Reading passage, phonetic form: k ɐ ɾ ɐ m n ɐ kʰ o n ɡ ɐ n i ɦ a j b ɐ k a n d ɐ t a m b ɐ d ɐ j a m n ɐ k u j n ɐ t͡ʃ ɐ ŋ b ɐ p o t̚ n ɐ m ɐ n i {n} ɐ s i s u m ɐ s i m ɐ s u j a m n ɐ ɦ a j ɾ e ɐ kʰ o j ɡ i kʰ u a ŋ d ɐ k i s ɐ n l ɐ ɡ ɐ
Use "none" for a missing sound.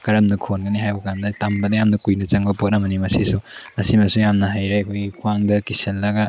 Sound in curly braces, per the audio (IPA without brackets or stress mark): m